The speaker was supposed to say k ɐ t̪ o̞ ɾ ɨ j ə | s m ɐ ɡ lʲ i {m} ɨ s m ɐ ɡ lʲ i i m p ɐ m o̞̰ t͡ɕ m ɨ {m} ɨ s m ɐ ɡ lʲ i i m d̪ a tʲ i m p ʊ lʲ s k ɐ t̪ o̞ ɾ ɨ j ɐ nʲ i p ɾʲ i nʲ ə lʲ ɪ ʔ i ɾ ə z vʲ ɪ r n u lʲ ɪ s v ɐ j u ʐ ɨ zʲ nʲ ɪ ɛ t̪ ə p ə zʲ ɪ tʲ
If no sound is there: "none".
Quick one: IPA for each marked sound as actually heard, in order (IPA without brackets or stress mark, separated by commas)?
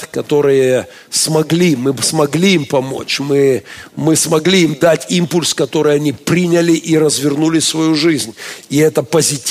m, m